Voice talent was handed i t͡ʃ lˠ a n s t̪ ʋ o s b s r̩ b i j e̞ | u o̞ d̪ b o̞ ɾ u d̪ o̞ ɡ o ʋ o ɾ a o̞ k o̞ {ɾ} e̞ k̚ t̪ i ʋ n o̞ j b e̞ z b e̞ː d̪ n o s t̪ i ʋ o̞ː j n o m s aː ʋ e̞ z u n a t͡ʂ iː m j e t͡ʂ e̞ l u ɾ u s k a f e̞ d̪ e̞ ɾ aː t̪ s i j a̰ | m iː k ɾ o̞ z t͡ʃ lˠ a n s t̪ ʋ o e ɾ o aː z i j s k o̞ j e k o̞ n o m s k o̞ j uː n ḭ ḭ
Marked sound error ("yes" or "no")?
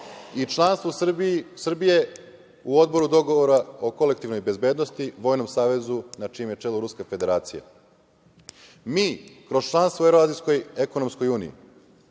yes